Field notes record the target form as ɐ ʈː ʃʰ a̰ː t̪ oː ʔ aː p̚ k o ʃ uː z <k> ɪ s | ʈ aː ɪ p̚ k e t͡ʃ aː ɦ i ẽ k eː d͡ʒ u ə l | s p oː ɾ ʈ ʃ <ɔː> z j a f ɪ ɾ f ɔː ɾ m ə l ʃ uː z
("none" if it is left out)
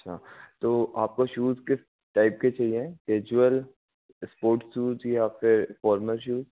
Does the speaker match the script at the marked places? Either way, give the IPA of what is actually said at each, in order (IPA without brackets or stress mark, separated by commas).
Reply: k, uː